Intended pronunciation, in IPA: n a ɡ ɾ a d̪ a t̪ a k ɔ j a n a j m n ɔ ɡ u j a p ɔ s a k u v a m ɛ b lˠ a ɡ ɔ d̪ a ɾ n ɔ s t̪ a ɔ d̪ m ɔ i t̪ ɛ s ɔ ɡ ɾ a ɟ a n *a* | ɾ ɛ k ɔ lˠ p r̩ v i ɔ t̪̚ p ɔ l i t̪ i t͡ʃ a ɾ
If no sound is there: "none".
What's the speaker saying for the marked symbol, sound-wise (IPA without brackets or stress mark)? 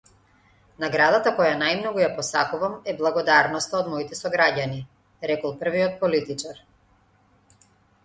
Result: i